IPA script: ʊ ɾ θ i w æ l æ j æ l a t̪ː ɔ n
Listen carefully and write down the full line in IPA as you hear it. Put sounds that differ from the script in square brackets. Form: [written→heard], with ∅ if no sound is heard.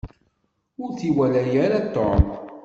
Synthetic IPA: ʊ ɾ θ i w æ l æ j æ [l→ɾ] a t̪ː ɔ [n→m]